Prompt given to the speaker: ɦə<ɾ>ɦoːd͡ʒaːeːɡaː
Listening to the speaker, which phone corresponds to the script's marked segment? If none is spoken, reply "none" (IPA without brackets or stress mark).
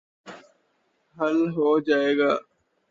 l